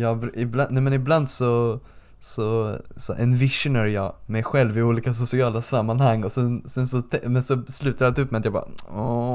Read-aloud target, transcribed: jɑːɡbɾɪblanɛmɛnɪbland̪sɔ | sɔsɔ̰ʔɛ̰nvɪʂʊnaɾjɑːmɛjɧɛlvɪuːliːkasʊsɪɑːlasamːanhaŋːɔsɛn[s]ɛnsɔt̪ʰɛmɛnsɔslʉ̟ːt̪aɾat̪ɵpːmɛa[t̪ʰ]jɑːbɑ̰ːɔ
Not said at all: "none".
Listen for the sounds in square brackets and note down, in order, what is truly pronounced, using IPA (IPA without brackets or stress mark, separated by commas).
s, t̪